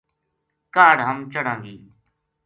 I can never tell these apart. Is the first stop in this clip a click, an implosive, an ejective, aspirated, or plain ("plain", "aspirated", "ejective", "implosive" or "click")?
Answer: plain